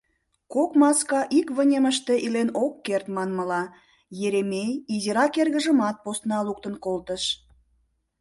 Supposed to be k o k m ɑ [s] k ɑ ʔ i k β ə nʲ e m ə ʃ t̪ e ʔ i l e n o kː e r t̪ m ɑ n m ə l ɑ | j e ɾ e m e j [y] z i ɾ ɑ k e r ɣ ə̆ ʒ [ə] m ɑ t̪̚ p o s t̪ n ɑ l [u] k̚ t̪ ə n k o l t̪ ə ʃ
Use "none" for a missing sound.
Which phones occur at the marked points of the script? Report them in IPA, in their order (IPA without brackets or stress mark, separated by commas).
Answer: s, i, ə, u